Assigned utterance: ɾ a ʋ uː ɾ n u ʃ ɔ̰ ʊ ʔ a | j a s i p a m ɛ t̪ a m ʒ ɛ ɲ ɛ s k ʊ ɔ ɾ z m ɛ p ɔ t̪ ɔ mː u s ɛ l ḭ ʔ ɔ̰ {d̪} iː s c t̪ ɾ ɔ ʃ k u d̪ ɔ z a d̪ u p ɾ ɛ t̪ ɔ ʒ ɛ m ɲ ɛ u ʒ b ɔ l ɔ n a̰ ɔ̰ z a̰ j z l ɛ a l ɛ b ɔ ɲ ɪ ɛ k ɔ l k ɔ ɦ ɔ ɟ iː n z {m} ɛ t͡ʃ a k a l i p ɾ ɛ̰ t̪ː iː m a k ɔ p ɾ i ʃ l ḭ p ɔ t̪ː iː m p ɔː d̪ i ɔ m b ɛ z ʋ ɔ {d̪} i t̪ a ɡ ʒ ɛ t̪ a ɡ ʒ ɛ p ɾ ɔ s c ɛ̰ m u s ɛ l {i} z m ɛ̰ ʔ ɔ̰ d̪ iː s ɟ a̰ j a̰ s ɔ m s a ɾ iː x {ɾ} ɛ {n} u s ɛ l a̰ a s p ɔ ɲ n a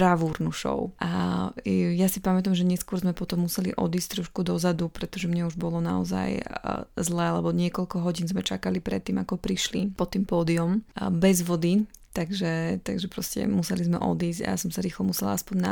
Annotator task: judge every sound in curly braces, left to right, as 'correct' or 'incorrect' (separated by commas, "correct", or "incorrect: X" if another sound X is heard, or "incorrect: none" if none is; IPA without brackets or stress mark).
correct, correct, correct, correct, incorrect: l, incorrect: m